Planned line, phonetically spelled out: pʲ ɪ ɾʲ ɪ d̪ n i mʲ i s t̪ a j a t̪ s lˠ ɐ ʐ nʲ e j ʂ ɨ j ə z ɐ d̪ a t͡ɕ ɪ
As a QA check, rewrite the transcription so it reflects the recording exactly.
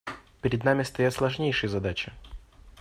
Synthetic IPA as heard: pʲ ɪ ɾʲ ɪ d̪ n a mʲ ɪ s t̪ ɐ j a t̪ s lˠ ɐ ʐ nʲ e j ʂ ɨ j ə z ɐ d̪ a t͡ɕ ɪ

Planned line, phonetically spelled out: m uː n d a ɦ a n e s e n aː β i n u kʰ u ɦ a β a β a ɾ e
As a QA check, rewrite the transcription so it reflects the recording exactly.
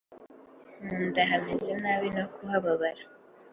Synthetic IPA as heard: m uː n d a ɦ a m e z e n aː β i n o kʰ u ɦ a β a β a ɾ a

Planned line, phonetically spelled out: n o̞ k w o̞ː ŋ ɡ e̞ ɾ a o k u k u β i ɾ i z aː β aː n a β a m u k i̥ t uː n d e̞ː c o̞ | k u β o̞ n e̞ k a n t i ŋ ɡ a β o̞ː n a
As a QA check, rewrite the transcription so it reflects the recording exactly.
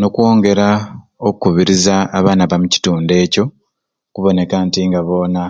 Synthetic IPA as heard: n o̞ k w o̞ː ŋ ɡ e̞ ɾ a o k u k u β i ɾ i z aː β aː n a β a m u c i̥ t uː n d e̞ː c o̞ | k u β o̞ n e̞ k a n t i ŋ ɡ a β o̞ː n a

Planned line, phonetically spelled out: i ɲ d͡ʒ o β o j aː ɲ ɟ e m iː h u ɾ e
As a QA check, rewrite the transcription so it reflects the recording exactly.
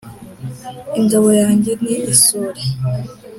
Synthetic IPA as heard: i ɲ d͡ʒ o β o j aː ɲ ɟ e n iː s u ɾ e

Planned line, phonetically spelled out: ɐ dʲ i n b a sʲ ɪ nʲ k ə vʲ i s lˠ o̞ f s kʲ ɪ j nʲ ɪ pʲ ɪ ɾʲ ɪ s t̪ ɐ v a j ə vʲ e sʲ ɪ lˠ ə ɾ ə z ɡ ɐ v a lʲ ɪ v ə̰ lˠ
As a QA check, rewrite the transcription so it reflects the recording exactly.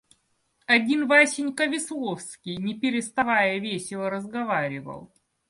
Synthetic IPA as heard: ɐ dʲ i n v a sʲ ɪ nʲ k ə vʲ ɪ s lˠ o̞ f s kʲ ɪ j nʲ ɪ pʲ ɪ ɾʲ ɪ s t̪ ɐ v a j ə vʲ e sʲ ɪ lˠ ə ɾ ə z ɡ ɐ v a ɾʲ ɪ v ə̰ lˠ

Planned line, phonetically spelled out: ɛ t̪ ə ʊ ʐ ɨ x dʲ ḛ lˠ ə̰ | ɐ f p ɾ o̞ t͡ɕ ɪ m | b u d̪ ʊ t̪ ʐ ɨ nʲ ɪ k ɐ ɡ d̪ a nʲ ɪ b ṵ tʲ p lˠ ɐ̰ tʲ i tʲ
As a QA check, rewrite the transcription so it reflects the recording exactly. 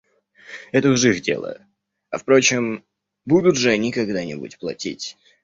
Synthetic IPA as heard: ɛ t̪ ə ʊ ʐ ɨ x dʲ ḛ lˠ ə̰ | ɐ f p ɾ o̞ t͡ɕ ɪ m | b u d̪ ʊ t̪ ʐ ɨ nʲ ɪ k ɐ ɡ d̪ a nʲ ɪ b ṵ tʲ p lˠ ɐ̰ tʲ i tʲ

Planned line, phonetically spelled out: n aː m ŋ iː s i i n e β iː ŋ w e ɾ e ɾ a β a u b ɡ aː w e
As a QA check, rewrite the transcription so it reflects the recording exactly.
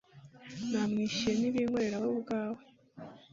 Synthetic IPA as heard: n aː m ŋ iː ʃ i e n i β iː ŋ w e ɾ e ɾ a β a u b ɡ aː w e

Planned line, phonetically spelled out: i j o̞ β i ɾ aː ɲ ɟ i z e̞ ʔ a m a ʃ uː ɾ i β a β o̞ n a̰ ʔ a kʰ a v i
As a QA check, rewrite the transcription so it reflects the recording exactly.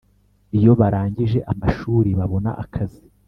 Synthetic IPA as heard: i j o̞ β a ɾ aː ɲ ɟ i ʒ e̞ ʔ a m a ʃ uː ɾ i β a β o̞ n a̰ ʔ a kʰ a z i

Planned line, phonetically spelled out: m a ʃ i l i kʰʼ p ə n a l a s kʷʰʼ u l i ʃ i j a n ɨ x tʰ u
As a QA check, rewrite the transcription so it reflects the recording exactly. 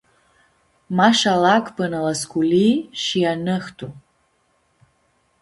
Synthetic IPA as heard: m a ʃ a l a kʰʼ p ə n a l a s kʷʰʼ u l i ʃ i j a n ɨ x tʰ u

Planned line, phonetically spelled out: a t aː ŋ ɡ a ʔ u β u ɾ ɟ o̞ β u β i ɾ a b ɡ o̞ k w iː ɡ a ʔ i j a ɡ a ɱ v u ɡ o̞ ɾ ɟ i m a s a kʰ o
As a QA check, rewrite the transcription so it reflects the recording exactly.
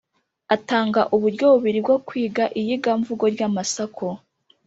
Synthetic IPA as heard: a t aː ŋ ɡ a ʔ u β u ɾ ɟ o̞ β u β i ɾ i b ɡ o̞ k w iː ɡ a ʔ i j i ɡ a ɱ v u ɡ o̞ ɾ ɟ a m a s a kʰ o

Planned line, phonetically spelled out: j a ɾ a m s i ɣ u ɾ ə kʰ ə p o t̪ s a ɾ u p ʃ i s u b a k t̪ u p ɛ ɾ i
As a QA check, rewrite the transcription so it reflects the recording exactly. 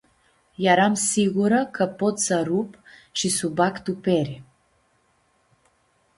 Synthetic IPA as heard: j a ɾ a m s i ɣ u ɾ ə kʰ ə p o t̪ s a ɾ u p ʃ i s u b a k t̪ u p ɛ ɾ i

